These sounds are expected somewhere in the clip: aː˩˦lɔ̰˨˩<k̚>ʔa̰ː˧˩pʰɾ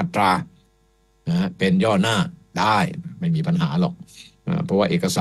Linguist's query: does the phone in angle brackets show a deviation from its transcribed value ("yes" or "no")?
no